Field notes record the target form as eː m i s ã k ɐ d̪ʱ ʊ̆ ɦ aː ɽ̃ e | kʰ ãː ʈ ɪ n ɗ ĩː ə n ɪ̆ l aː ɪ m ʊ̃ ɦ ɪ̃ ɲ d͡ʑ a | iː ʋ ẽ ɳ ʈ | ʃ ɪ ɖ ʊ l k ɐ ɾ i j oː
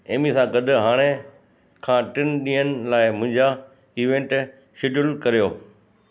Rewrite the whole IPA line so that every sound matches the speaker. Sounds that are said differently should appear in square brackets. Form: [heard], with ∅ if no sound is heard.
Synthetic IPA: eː m i s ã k ɐ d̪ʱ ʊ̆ ɦ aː ɽ̃ e | kʰ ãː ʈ ɪ n ɗ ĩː ə n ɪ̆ l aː ɪ m ʊ̃ ɦ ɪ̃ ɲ d͡ʑ a | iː ʋ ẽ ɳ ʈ | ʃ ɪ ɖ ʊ l k ɐ ɾ i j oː

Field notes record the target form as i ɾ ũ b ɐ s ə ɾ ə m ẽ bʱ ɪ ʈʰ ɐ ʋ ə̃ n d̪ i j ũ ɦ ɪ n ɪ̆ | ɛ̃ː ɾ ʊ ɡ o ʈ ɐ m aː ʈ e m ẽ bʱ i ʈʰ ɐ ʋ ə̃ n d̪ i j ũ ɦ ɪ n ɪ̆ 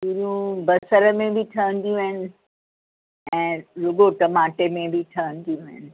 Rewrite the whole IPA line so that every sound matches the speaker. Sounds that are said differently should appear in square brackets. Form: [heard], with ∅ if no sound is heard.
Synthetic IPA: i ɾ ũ b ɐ s ə ɾ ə m ẽ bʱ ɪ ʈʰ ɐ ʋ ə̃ n d̪ i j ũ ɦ ɪ n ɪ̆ | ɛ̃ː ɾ ʊ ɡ o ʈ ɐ m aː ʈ e m ẽ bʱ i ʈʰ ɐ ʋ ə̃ n d̪ i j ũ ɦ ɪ n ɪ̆

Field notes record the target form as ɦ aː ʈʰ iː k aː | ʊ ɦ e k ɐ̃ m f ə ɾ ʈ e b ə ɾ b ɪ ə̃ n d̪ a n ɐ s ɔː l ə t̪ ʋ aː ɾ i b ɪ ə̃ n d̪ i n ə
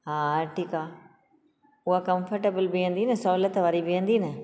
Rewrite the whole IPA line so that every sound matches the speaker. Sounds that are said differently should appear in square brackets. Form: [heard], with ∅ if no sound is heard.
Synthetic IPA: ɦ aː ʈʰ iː k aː | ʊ ɦ [a] k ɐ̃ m f ə ɾ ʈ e b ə [l] b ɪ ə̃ n d̪ [i] n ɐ s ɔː l ə t̪ ʋ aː ɾ i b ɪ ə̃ n d̪ i n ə

